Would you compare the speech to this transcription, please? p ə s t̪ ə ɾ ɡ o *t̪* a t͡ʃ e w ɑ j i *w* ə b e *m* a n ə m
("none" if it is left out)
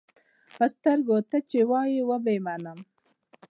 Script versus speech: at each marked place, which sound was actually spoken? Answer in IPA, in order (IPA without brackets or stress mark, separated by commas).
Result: t̪, w, m